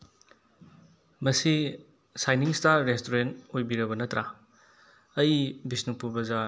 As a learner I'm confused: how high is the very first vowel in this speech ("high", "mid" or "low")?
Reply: low